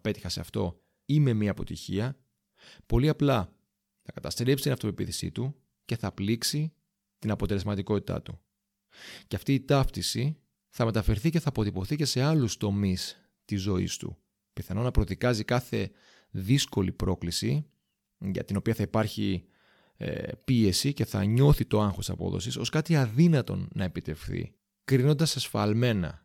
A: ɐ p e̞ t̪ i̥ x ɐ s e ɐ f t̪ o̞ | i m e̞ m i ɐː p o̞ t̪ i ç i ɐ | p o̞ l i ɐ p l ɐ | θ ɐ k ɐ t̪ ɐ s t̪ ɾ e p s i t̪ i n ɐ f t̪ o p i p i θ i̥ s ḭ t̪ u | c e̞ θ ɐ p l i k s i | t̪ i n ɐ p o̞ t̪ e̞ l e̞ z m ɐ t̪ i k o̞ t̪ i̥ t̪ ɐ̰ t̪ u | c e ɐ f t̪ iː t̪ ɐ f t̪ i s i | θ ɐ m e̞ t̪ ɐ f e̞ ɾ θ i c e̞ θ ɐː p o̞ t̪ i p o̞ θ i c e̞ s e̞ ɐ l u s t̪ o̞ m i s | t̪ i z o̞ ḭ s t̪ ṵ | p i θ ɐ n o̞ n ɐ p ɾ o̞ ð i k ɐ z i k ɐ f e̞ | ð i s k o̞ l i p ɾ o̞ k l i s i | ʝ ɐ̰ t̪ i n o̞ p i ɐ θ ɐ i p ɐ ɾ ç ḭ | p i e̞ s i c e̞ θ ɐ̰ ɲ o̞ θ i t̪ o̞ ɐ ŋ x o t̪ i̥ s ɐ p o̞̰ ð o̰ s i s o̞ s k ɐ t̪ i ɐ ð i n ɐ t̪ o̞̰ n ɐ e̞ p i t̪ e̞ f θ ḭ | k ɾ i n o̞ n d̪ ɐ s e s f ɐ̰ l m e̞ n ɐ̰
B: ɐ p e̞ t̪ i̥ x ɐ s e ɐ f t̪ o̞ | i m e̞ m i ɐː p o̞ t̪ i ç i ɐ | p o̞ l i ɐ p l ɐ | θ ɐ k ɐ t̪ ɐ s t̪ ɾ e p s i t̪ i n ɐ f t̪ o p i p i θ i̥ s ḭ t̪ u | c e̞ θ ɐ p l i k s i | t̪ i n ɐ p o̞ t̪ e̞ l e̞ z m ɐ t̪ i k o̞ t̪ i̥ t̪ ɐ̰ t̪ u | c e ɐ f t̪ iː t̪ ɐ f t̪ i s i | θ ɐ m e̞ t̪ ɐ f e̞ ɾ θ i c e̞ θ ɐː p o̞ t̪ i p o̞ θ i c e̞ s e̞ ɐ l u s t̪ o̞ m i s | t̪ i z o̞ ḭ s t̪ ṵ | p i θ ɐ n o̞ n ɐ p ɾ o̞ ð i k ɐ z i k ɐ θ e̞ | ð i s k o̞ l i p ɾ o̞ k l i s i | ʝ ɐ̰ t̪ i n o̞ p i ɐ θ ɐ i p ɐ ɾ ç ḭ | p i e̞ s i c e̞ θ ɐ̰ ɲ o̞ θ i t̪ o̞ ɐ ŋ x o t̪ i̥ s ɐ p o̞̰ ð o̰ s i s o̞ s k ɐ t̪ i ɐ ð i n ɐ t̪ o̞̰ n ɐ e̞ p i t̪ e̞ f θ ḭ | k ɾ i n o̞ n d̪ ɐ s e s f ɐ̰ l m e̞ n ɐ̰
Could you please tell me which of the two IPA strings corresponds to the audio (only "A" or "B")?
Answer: B